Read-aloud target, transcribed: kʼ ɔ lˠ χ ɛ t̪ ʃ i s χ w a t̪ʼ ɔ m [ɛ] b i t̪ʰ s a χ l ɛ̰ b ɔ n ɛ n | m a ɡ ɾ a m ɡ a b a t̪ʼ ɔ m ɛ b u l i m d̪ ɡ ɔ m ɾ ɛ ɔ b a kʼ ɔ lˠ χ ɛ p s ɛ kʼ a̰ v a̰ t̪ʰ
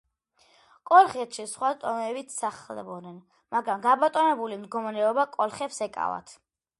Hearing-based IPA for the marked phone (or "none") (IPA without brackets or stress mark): ɛ